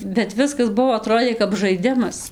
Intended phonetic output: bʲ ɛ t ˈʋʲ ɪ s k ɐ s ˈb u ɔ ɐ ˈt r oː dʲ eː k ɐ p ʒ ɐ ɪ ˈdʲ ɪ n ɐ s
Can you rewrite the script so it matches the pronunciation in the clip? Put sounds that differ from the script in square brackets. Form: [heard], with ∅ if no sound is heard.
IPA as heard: bʲ ɛ t ˈʋʲ ɪ s k ɐ s ˈb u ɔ ɐ ˈt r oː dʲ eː k ɐ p ʒ ɐ ɪ ˈdʲ ɪ [m] ɐ s

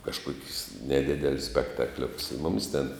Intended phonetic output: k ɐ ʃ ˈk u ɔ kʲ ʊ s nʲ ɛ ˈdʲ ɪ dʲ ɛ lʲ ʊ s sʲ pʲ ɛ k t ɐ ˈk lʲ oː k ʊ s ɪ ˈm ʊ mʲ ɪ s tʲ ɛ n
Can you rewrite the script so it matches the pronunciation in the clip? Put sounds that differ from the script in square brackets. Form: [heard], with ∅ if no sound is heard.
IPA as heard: k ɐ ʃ ˈk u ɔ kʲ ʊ s nʲ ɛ ˈdʲ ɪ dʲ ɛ lʲ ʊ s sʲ pʲ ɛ k t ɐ ˈk lʲ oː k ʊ s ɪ ˈm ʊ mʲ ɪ s tʲ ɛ n

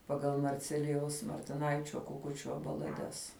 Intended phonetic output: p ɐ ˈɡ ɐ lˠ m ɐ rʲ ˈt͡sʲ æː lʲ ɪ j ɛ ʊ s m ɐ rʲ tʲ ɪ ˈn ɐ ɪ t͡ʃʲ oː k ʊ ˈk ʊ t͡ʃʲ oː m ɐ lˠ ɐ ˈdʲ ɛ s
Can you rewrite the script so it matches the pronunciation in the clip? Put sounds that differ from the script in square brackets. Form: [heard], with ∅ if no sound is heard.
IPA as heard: p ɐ ˈɡ ɐ lˠ m ɐ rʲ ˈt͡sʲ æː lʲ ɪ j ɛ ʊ s m ɐ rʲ tʲ ɪ ˈn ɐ ɪ t͡ʃʲ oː k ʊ ˈk ʊ t͡ʃʲ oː [b] ɐ lˠ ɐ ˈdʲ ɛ s

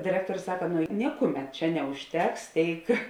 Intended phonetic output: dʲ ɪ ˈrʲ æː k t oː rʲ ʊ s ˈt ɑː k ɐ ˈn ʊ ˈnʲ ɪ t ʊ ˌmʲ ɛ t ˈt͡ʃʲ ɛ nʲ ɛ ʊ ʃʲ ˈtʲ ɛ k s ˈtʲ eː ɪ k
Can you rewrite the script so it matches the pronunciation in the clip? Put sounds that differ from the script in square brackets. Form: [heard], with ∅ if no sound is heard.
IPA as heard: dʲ ɪ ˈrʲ æː k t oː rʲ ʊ s [ˈs] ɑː k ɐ ˈn ʊ ˈnʲ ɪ [k] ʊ ˌmʲ ɛ t ˈt͡ʃʲ ɛ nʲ ɛ ʊ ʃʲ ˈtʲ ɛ k s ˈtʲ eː ɪ k

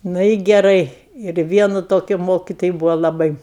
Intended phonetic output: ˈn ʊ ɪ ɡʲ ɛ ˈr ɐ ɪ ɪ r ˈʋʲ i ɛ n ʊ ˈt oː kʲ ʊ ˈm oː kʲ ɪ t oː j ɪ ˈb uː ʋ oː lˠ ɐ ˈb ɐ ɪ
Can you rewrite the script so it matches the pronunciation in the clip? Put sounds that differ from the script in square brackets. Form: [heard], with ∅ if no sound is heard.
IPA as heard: ˈn ʊ ɪ ɡʲ ɛ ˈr ɐ ɪ ɪ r ˈʋʲ i ɛ n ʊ ˈt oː kʲ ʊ ˈm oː kʲ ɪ t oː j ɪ ˈb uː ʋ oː lˠ ɐ ˈb ɐ ɪ

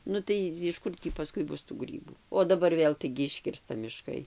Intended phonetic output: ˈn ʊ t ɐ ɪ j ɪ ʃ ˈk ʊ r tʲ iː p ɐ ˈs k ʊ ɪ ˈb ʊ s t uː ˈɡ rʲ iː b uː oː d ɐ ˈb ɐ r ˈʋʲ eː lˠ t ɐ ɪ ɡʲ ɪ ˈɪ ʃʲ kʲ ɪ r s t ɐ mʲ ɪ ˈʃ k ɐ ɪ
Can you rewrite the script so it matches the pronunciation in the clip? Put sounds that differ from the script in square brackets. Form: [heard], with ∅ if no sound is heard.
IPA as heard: ˈn ʊ t ɐ ɪ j ɪ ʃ ˈk ʊ r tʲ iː p ɐ ˈs k ʊ ɪ ˈb ʊ s t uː ˈɡ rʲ iː b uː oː d ɐ ˈb ɐ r ˈʋʲ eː lˠ t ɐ ɪ ɡʲ ɪ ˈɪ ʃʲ kʲ ɪ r s t ɐ mʲ ɪ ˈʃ k ɐ ɪ

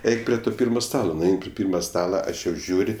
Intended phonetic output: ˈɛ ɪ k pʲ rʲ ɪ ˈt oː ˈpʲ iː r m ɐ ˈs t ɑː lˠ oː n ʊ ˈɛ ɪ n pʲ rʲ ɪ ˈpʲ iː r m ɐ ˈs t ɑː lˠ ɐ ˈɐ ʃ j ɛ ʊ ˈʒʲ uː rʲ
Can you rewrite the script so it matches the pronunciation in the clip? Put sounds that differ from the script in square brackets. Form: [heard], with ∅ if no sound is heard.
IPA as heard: ˈɛ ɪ k pʲ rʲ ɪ ˈt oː ˈpʲ iː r m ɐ ˈs t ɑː lˠ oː n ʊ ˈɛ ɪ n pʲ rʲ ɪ ˈpʲ iː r m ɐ ˈs t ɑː lˠ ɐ ˈɐ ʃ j ɛ ʊ ˈʒʲ uː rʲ

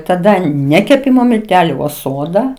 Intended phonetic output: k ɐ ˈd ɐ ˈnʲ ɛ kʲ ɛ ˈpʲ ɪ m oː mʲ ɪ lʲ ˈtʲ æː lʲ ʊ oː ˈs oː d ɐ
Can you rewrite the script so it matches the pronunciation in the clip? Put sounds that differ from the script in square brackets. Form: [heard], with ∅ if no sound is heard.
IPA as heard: [t] ɐ ˈd ɐ ˈnʲ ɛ kʲ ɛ ˈpʲ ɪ m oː mʲ ɪ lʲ ˈtʲ æː lʲ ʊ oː ˈs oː d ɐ

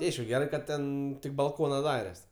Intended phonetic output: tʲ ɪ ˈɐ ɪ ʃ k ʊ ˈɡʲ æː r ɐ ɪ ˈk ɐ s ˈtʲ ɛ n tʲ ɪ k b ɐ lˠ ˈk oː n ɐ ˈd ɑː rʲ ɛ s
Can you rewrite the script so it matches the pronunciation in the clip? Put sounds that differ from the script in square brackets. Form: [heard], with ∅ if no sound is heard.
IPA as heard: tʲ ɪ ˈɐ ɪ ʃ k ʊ ˈɡʲ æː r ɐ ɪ ˈk ɐ [t] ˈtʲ ɛ n tʲ ɪ k b ɐ lˠ ˈk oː n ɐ ˈd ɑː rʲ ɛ s

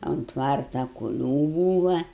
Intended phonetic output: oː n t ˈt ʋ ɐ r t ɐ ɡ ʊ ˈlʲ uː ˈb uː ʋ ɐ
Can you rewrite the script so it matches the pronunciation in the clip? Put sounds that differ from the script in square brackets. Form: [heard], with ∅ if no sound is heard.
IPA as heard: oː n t ˈt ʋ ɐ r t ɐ [k] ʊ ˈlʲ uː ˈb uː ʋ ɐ

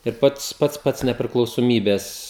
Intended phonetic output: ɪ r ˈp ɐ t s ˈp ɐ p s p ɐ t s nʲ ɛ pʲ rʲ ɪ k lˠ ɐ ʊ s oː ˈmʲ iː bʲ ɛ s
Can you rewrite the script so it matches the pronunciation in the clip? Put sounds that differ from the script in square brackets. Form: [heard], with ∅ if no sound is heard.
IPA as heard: ɪ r ˈp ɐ t s ˈp ɐ [t] s p ɐ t s nʲ ɛ pʲ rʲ ɪ k lˠ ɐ ʊ s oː ˈmʲ iː bʲ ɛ s

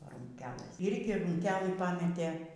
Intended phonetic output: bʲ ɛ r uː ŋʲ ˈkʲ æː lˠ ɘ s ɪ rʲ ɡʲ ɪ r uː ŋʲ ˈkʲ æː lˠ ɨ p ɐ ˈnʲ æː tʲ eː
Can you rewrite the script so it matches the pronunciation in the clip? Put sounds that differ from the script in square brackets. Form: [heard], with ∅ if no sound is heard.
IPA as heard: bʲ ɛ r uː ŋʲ ˈkʲ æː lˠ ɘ s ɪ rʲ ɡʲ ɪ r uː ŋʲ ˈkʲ æː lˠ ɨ p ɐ [ˈmʲ] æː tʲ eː

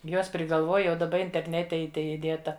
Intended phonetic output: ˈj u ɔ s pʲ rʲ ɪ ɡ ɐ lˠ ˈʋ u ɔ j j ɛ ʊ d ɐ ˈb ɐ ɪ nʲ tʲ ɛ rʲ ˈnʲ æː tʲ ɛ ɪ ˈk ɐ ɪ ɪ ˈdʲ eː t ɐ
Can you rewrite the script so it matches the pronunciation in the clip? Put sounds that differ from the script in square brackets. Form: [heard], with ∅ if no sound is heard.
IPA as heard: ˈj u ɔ s pʲ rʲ ɪ ɡ ɐ lˠ ˈʋ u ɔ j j ɛ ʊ d ɐ ˈb ɐ ɪ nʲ tʲ ɛ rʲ ˈnʲ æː tʲ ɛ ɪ [ˈt] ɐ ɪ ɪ ˈdʲ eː t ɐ

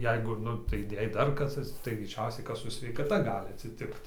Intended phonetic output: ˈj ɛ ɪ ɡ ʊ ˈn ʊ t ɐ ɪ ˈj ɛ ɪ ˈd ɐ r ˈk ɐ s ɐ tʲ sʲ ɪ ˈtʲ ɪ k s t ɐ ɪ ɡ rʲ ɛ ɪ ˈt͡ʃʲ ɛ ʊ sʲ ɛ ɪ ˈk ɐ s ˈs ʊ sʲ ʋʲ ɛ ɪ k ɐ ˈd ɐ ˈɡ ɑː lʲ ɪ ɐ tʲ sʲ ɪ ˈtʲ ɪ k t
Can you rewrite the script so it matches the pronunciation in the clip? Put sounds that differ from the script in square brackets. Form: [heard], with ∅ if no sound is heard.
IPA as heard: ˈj ɛ ɪ ɡ ʊ ˈn ʊ t ɐ ɪ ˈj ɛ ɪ ˈd ɐ r ˈk ɐ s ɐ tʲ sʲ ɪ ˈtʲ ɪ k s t ɐ ɪ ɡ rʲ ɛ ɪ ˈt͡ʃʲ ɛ ʊ sʲ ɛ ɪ ˈk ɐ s ˈs ʊ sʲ ʋʲ ɛ ɪ k ɐ [ˈt] ɐ ˈɡ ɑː lʲ ɪ ɐ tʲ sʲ ɪ ˈtʲ ɪ k t

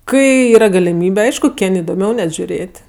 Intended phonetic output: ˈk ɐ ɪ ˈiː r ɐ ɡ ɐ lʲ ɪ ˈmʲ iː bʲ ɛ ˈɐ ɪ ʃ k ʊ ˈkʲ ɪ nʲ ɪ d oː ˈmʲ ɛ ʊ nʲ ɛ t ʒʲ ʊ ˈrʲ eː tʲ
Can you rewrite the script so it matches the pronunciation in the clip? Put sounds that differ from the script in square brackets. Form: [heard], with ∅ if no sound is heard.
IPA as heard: ˈk ɐ ɪ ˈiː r ɐ ɡ ɐ lʲ ɪ ˈmʲ iː bʲ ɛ ˈɐ ɪ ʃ k ʊ ˈkʲ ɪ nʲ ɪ d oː ˈmʲ ɛ ʊ nʲ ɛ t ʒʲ ʊ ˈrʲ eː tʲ

